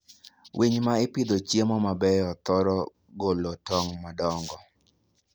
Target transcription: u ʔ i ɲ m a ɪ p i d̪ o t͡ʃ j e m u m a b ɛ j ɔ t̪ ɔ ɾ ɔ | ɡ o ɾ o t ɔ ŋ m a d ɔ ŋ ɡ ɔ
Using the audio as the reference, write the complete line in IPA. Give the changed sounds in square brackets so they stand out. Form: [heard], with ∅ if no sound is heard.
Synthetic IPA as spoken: [w] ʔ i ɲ m a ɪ p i d̪ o t͡ʃ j e m [ɔ] m a b ɛ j ɔ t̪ ɔ ɾ ɔ | ɡ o [l] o t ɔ ŋ m a d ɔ ŋ ɡ ɔ